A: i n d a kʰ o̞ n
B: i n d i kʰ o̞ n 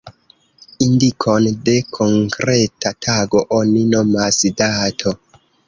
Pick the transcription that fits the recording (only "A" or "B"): B